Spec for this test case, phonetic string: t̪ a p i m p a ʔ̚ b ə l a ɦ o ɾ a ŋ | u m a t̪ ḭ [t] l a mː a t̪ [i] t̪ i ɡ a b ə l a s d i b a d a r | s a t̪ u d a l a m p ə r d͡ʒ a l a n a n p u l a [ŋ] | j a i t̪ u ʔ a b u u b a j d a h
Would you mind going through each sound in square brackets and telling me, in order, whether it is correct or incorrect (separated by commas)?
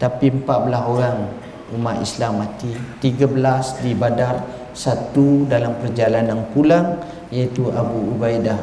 incorrect, correct, correct